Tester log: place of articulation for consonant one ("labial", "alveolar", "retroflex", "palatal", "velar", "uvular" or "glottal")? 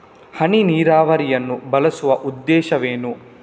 glottal